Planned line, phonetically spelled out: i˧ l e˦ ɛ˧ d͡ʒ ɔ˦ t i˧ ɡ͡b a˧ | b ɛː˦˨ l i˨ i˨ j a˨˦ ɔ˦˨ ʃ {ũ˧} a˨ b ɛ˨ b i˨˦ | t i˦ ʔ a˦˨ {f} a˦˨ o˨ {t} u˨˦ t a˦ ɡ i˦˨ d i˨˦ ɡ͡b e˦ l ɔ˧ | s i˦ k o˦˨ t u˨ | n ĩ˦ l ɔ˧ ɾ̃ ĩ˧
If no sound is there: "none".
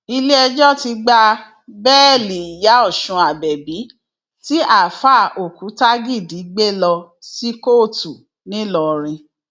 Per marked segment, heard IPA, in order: ũ˧, f, k

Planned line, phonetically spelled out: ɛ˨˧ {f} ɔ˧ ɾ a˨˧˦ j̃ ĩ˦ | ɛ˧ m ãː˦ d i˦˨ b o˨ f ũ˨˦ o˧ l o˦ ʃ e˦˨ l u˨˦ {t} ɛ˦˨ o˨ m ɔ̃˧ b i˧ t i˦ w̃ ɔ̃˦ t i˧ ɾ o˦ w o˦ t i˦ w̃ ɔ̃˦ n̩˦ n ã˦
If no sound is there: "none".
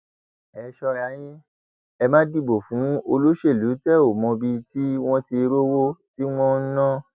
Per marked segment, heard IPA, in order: ʃ, t

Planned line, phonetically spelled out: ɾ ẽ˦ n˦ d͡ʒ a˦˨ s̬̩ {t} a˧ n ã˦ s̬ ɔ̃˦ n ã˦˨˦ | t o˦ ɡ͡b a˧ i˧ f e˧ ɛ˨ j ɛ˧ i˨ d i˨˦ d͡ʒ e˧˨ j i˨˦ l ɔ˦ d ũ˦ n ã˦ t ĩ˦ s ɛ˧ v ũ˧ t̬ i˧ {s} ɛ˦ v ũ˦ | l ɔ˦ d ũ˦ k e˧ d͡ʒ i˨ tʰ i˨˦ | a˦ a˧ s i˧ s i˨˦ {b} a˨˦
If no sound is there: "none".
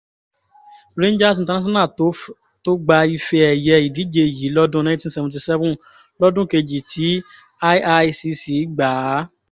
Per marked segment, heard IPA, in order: t, s, ɡ͡b

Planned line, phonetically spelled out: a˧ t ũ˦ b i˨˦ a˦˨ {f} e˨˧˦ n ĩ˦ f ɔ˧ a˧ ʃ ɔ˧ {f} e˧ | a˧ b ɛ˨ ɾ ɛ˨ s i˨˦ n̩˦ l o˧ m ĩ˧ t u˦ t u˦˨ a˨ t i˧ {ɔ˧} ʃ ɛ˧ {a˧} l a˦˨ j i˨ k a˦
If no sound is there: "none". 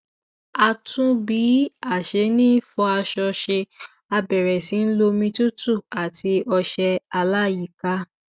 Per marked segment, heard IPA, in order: ʃ, ʃ, ɔ˧, a˧

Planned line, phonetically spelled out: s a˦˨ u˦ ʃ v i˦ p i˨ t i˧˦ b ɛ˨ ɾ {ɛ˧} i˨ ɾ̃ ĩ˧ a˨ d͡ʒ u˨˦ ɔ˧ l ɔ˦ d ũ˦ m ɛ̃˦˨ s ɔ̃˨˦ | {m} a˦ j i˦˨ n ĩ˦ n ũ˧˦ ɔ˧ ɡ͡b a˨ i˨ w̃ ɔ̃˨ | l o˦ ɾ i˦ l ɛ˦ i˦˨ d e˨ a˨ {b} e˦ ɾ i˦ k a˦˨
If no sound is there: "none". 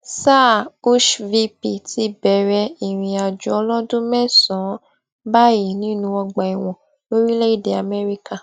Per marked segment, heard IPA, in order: ɛ˧, b, m

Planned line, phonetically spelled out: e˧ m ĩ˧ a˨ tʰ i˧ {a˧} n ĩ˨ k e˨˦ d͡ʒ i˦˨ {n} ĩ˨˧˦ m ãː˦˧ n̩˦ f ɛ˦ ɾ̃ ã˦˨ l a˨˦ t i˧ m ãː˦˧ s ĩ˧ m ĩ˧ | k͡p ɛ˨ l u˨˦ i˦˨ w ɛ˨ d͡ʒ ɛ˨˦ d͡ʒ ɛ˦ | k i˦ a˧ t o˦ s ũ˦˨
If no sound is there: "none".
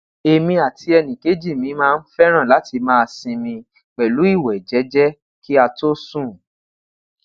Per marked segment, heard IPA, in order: ɛ˧, m

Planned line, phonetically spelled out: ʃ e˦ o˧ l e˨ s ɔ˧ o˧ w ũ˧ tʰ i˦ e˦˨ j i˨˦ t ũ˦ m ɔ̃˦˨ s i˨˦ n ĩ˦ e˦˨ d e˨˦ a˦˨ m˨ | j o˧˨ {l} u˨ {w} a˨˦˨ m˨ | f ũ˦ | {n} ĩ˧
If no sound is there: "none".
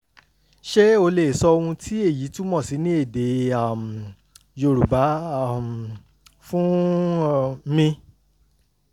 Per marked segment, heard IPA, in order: ɾ, b, m

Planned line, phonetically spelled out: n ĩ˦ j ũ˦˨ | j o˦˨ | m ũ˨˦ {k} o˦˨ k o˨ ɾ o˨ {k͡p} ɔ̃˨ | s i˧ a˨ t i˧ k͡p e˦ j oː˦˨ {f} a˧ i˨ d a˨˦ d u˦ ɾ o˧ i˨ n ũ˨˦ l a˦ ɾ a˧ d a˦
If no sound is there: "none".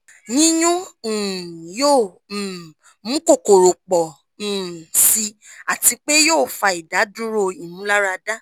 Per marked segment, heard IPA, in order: k, k͡p, f

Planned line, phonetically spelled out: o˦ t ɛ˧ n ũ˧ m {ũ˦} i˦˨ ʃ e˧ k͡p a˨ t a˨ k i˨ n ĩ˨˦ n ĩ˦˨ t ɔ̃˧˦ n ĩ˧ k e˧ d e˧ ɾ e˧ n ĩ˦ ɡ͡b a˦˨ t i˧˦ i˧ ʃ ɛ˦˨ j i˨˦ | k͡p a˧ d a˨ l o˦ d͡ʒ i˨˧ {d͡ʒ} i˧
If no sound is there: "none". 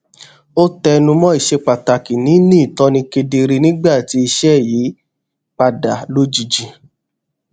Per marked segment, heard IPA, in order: ɔ̃˦, d͡ʒ

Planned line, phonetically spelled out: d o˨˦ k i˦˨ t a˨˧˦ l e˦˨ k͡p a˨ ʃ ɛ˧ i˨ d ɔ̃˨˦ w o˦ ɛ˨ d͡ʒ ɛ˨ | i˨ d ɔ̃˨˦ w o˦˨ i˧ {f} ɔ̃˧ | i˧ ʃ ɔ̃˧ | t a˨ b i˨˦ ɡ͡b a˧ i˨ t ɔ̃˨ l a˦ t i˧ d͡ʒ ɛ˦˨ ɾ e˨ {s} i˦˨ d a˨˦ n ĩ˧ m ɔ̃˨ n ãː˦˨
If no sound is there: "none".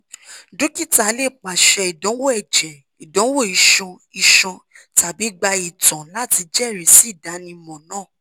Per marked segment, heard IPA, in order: ʃ, s

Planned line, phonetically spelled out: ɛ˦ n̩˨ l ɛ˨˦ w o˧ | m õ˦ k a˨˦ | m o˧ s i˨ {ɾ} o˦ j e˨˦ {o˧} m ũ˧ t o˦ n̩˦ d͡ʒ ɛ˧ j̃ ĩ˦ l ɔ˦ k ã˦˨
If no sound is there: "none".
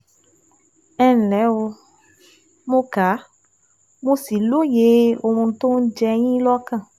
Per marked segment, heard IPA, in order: l, o˧

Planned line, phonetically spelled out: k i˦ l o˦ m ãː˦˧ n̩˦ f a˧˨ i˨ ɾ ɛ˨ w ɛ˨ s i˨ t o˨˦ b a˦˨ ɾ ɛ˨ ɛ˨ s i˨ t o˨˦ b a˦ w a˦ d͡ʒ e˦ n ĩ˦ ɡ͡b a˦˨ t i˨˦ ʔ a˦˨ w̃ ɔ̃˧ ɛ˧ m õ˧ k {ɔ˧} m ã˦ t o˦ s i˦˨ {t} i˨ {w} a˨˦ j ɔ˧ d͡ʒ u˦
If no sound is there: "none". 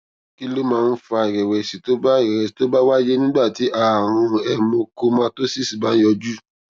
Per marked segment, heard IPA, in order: o˧, s, b

